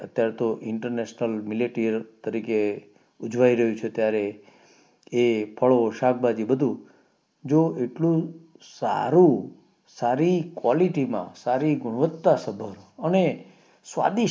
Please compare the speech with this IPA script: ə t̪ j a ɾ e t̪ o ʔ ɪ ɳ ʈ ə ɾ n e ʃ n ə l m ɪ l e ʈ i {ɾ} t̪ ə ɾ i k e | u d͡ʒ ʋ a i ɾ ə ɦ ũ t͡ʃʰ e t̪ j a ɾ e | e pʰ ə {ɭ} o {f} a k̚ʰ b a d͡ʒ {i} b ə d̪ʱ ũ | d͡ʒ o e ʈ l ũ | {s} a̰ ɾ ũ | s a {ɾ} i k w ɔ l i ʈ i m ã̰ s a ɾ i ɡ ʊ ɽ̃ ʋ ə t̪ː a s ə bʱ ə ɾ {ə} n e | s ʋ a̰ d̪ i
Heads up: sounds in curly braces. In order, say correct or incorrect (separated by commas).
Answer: correct, correct, incorrect, correct, correct, correct, correct